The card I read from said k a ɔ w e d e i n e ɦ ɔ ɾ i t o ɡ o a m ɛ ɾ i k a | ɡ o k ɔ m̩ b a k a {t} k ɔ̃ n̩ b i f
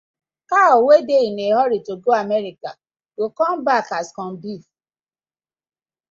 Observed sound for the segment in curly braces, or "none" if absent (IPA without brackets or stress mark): s